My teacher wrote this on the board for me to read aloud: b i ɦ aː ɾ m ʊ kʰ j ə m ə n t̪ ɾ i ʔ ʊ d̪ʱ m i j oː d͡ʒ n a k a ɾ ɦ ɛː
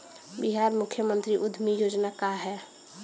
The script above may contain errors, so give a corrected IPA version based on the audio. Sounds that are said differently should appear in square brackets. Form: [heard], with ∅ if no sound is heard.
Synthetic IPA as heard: b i ɦ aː ɾ m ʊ kʰ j ə m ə n t̪ ɾ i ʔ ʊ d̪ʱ m i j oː d͡ʒ n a k a [∅] ɦ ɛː